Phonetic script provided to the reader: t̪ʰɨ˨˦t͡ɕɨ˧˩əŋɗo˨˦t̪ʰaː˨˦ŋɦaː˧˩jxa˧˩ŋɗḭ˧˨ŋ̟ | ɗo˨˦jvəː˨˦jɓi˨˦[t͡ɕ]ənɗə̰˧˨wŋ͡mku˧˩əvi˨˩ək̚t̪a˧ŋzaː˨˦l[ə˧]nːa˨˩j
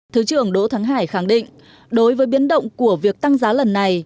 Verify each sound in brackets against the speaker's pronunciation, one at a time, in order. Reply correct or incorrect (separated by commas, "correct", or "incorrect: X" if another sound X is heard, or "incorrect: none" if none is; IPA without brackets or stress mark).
incorrect: none, incorrect: ə˨˩